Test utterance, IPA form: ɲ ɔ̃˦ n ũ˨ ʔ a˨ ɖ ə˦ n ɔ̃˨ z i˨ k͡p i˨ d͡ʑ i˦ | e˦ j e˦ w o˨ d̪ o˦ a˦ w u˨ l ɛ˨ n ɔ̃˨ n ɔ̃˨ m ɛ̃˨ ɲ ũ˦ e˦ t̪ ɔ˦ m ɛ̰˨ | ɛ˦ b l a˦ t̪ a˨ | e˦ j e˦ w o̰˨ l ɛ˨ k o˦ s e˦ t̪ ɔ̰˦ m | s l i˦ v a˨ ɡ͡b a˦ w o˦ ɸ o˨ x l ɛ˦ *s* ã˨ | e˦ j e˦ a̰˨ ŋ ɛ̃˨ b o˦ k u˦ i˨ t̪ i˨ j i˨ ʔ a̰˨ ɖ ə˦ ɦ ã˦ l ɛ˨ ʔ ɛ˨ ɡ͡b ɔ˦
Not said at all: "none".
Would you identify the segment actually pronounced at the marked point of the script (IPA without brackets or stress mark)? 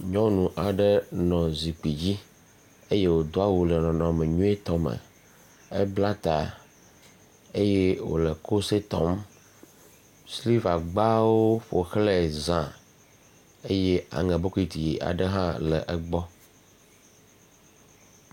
z